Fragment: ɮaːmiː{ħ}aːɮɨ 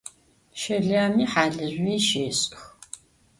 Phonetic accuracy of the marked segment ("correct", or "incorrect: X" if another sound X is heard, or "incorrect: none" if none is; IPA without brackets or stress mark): correct